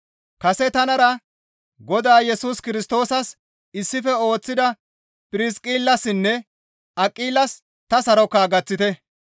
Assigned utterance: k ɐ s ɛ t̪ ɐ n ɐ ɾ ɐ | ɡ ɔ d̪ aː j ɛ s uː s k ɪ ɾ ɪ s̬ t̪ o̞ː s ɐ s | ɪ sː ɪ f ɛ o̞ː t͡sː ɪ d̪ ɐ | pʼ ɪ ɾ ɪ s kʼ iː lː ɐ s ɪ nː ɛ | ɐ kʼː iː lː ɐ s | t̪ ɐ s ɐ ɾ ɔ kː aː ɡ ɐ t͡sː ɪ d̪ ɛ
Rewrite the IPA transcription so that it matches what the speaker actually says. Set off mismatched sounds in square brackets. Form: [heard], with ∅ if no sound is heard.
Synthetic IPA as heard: k ɐ s ɛ t̪ ɐ n ɐ ɾ ɐ | ɡ ɔ d̪ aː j ɛ s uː s k ɪ ɾ ɪ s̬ t̪ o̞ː s ɐ s | ɪ sː ɪ f ɛ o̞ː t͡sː ɪ d̪ ɐ | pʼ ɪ ɾ ɪ s kʼ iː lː ɐ s ɪ nː ɛ | ɐ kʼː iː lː ɐ s | t̪ ɐ s ɐ ɾ ɔ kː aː ɡ ɐ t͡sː ɪ [t̪] ɛ